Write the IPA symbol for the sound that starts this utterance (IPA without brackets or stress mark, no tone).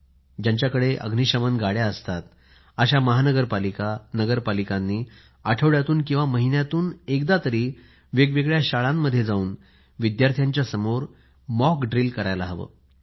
d͡ʑ